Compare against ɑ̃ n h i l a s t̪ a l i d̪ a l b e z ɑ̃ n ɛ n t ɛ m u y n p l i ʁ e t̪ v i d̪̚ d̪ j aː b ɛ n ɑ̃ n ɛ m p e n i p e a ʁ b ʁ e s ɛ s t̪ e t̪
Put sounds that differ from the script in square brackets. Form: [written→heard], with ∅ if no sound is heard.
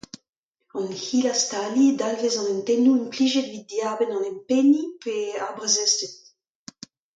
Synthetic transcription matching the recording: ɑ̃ n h i l a s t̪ a l i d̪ a l [b→v] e z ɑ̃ n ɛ n t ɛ [m→n] u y n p l i [ʁ→ʒ] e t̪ v i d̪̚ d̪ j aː b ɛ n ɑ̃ n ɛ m p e n i p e a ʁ b ʁ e [s→z] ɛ s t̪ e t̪